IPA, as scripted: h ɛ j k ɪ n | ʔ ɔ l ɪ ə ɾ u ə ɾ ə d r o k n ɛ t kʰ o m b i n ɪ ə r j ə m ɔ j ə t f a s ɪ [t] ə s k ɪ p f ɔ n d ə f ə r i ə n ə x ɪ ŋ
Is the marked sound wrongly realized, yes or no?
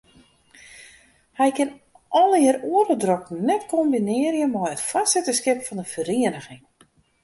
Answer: no